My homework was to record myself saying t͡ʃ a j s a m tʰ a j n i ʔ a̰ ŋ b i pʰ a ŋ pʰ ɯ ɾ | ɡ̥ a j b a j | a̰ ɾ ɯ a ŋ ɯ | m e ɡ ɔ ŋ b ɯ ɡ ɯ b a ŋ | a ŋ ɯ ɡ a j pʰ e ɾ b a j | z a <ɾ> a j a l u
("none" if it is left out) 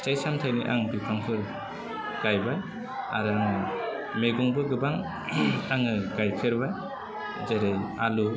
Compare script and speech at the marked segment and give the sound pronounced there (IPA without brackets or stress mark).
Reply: ɾ